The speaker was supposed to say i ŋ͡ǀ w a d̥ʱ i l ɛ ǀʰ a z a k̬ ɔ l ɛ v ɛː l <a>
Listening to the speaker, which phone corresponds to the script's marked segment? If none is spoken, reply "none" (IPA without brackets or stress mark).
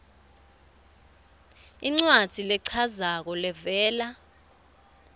a